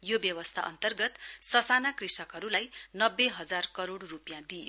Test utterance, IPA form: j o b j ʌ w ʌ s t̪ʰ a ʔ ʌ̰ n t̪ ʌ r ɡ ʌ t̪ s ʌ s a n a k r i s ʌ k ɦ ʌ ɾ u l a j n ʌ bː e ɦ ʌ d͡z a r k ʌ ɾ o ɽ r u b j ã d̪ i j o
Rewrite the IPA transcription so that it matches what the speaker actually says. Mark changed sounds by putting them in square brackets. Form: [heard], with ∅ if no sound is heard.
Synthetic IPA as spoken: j o b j ʌ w ʌ s t̪ʰ a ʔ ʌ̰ n t̪ ʌ r ɡ ʌ t̪ s ʌ s a n a k r i s ʌ k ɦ ʌ ɾ u l a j n ʌ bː e ɦ ʌ d͡z a r k ʌ ɾ o ɽ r u [p] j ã d̪ i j o

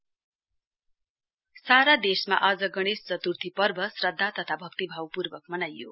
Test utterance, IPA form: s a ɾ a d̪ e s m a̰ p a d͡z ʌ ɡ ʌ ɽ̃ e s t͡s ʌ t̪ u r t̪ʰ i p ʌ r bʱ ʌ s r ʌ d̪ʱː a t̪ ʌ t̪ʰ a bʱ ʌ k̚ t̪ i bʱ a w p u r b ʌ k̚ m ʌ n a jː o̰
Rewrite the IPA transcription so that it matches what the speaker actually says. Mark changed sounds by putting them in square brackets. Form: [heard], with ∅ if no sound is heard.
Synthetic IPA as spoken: s a ɾ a d̪ e s m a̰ [ʔ] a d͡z ʌ ɡ ʌ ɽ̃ e s t͡s ʌ t̪ u r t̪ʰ i p ʌ r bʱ ʌ s r ʌ d̪ʱː a t̪ ʌ t̪ʰ a bʱ ʌ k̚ t̪ i bʱ a w p u r b ʌ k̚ m ʌ n a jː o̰

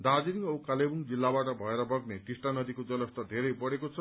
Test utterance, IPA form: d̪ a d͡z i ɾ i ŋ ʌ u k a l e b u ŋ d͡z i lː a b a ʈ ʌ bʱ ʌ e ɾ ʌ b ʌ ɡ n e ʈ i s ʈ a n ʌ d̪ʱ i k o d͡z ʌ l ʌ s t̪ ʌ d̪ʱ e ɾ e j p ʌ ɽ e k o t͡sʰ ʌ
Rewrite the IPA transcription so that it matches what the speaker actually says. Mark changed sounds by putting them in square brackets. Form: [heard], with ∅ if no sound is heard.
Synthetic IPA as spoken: d̪ a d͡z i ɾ i ŋ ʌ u k a l e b u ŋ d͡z i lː a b a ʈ ʌ bʱ ʌ e ɾ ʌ b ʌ ɡ n e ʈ i s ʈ a n ʌ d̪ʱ i k o d͡z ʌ l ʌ s t̪ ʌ d̪ʱ e ɾ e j p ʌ ɽ e k o t͡sʰ ʌ

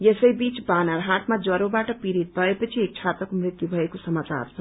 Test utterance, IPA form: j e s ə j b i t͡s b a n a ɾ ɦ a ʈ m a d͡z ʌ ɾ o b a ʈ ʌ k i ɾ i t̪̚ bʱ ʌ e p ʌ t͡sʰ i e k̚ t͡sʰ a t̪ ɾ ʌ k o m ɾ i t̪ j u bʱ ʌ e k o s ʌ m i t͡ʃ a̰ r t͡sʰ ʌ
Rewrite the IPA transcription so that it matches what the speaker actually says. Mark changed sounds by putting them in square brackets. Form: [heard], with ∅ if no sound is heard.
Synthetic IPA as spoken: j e s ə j b i t͡s b a n a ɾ ɦ a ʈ m a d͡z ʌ ɾ o b a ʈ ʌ [p] i ɾ i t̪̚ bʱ ʌ e p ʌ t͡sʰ i e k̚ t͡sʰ a t̪ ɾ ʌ k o m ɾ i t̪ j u bʱ ʌ e k o s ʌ m [a] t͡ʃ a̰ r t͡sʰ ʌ

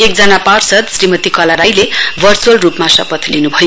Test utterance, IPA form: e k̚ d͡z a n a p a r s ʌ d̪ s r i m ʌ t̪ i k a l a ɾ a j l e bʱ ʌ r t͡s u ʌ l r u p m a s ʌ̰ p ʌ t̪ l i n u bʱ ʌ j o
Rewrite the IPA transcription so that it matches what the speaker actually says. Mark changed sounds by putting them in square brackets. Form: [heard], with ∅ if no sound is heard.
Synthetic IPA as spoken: e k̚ d͡z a n a p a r s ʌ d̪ s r i m ʌ t̪ i k [ʌ] l a ɾ a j l e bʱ ʌ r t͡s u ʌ l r u p m a s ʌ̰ p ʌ t̪ l i n u bʱ ʌ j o

